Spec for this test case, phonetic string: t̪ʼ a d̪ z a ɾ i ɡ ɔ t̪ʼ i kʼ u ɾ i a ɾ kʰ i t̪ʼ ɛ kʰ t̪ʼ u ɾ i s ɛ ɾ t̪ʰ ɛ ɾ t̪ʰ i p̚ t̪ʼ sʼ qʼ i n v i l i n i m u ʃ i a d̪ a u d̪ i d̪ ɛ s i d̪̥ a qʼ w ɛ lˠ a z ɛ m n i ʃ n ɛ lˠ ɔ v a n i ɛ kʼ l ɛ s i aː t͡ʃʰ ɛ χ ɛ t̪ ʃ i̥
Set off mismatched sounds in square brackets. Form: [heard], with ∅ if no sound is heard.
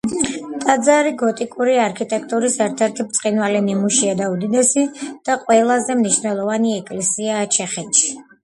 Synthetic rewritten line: t̪ʼ a d̪ z a ɾ i ɡ ɔ t̪ʼ i kʼ u ɾ i a ɾ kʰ i t̪ʼ ɛ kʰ t̪ʼ u ɾ i s ɛ ɾ t̪ʰ ɛ ɾ t̪ʰ i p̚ [t̪] sʼ qʼ i n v [a] l i n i m u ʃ i a d̪ a u d̪ i d̪ ɛ s i d̪̥ a qʼ w ɛ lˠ a z ɛ m n i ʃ n ɛ lˠ ɔ v a n i ɛ kʼ l ɛ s i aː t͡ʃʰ ɛ χ ɛ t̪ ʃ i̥

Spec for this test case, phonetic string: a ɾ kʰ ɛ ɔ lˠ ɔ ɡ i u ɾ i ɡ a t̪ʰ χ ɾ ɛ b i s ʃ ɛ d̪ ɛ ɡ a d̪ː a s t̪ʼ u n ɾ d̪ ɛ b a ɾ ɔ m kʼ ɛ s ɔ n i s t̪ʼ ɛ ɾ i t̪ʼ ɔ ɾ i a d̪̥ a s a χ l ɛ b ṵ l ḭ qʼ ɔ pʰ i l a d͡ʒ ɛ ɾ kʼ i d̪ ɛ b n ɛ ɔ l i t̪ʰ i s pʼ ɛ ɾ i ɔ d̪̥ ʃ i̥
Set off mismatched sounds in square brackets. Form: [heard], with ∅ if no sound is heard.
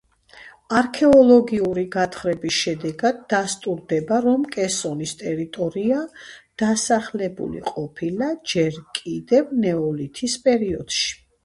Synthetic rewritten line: a ɾ kʰ ɛ ɔ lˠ ɔ ɡ i u ɾ i ɡ a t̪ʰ χ ɾ ɛ b i s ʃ ɛ d̪ ɛ ɡ a d̪ː a s t̪ʼ u [∅] ɾ d̪ ɛ b a ɾ ɔ m kʼ ɛ s ɔ n i s t̪ʼ ɛ ɾ i t̪ʼ ɔ ɾ i a d̪̥ a s a χ l ɛ b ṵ l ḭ qʼ ɔ pʰ i l a d͡ʒ ɛ ɾ kʼ i d̪ ɛ [v] n ɛ ɔ l i t̪ʰ i s pʼ ɛ ɾ i ɔ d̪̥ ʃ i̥

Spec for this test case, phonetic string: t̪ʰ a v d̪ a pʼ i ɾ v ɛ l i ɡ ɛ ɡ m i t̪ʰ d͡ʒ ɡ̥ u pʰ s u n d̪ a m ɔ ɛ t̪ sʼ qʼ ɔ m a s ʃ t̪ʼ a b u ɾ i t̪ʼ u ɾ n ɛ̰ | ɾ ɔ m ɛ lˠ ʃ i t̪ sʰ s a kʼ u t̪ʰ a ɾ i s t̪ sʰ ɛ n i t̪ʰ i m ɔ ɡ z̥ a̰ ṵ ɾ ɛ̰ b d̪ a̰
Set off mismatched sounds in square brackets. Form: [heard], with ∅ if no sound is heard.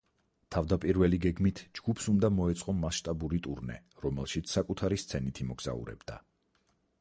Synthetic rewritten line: t̪ʰ a v d̪ a pʼ i ɾ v ɛ l i ɡ ɛ ɡ m i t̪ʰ d͡ʒ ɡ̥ u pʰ s u n d̪ a m ɔ ɛ t̪ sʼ qʼ ɔ m a s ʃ t̪ʼ a b u ɾ i t̪ʼ u ɾ n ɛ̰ | ɾ ɔ m ɛ lˠ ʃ i t̪ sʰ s a kʼ u t̪ʰ a ɾ i s t̪ sʰ ɛ n i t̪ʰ i m ɔ ɡ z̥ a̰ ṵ ɾ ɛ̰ b d̪ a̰

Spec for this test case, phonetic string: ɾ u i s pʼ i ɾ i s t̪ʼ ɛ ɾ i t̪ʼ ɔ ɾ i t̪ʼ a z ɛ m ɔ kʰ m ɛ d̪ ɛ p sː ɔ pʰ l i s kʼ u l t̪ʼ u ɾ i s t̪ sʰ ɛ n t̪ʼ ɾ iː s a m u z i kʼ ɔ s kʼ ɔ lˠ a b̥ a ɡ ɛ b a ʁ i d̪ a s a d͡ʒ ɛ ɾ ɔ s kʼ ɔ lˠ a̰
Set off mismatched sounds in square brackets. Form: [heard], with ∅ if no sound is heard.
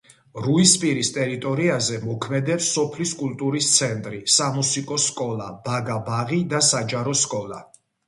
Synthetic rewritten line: ɾ u i s pʼ i ɾ i s t̪ʼ ɛ ɾ i t̪ʼ ɔ ɾ i [∅] a z ɛ m ɔ kʰ m ɛ d̪ ɛ p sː ɔ pʰ l i s kʼ u l t̪ʼ u ɾ i s t̪ sʰ ɛ n t̪ʼ ɾ [i] s a m u [s] i kʼ ɔ s kʼ ɔ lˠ a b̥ a ɡ [a] b a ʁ i d̪ a s a d͡ʒ [a] ɾ ɔ s kʼ ɔ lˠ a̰

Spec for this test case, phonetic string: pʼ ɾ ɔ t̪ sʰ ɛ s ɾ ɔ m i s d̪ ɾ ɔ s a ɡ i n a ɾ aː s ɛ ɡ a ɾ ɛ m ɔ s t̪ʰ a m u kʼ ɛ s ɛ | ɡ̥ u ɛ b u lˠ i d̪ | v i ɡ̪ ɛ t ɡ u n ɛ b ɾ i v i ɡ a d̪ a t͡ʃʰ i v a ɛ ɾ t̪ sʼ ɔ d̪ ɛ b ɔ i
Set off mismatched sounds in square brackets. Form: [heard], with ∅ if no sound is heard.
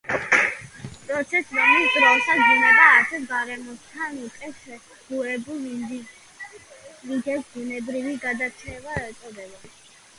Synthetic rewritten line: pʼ ɾ ɔ t̪ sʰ ɛ s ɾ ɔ m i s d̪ ɾ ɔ s a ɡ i n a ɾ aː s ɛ ɡ a ɾ ɛ m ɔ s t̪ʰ a [n] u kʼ ɛ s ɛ | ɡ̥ u ɛ b u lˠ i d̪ | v i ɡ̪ ɛ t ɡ u n ɛ b ɾ i v i ɡ a d̪ a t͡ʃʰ [ɛ] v a ɛ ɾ t̪ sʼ ɔ d̪ ɛ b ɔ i

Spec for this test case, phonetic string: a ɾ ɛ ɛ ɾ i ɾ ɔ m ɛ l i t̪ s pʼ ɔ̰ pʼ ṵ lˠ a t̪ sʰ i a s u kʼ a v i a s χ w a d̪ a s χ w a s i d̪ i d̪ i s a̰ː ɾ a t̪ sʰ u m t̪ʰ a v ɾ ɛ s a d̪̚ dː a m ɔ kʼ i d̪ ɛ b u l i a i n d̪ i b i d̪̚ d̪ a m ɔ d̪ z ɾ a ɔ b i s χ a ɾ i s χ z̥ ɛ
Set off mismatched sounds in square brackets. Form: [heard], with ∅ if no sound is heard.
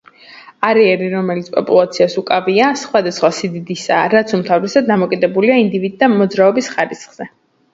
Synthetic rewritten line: a ɾ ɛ ɛ ɾ i ɾ ɔ m ɛ l i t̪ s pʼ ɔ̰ pʼ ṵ lˠ a t̪ sʰ i a s u kʼ a v i a s χ w a d̪ a s χ w a s i d̪ i d̪ i s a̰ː ɾ a t̪ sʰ u m t̪ʰ a v ɾ ɛ s a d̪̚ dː a m ɔ kʼ i d̪ ɛ b u l i a i n d̪ i [v] i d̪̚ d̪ a m ɔ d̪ z ɾ a ɔ b i s χ a ɾ i s χ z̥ ɛ

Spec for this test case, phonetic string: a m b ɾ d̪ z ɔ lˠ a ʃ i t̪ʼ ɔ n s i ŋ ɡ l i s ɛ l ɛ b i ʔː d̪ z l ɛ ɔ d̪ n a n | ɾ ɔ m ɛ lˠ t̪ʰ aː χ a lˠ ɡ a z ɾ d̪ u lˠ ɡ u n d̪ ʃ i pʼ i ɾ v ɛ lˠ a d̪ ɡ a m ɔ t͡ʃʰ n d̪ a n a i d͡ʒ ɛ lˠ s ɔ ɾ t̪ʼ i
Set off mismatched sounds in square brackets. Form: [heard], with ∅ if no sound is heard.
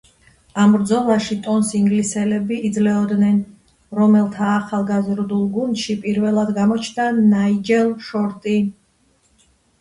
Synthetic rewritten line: a m b ɾ d̪ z ɔ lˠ a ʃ i t̪ʼ ɔ n s i ŋ ɡ l i s ɛ l ɛ b i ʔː d̪ z l ɛ ɔ d̪ n [ɛ] n | ɾ ɔ m ɛ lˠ t̪ʰ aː χ a lˠ ɡ a z ɾ d̪ u lˠ ɡ u n d̪ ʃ i pʼ i ɾ v ɛ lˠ a d̪ ɡ a m ɔ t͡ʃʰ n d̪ a n a i d͡ʒ ɛ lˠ [ʃ] ɔ ɾ t̪ʼ i

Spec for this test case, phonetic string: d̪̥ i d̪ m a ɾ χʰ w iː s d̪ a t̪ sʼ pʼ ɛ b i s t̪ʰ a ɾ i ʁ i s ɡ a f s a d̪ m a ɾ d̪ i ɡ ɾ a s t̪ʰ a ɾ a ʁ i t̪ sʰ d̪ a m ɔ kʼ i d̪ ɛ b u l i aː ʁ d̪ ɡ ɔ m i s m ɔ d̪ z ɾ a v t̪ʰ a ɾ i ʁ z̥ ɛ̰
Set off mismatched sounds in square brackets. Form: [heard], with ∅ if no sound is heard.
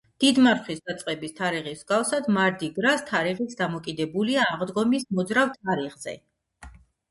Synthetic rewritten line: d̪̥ i d̪ m a ɾ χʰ w [i] s d̪ a t̪ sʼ [qʼ] ɛ b i s t̪ʰ a ɾ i ʁ i s ɡ a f s a d̪ m a ɾ d̪ i ɡ ɾ a s t̪ʰ a ɾ [i] ʁ i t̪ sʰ d̪ a m ɔ kʼ i d̪ ɛ b u l i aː ʁ d̪ ɡ ɔ m i s m ɔ d̪ z ɾ a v t̪ʰ a ɾ i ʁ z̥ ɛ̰

